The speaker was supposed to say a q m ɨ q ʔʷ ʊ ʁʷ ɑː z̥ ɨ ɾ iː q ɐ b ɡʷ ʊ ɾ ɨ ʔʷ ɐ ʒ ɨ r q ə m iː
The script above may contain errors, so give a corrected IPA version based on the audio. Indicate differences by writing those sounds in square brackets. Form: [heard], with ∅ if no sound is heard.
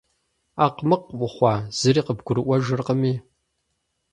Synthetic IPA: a q m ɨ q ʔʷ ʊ [χʷ] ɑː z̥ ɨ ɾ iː q [ə] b ɡʷ ʊ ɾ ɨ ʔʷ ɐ ʒ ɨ r q ə m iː